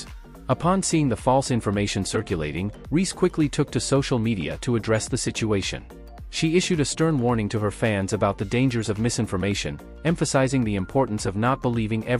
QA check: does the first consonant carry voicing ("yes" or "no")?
no